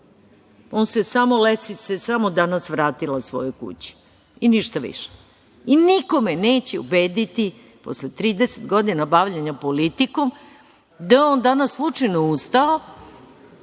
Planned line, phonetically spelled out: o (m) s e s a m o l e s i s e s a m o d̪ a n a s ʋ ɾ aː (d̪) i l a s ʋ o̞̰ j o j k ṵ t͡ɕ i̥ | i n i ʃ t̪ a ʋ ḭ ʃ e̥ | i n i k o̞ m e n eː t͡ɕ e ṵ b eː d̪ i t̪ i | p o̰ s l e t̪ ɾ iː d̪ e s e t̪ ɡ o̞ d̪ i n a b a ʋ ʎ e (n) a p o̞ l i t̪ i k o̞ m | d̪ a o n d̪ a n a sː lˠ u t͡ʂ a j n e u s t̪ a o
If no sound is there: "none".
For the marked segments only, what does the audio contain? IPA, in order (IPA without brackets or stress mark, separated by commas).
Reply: n, t̪, ɲ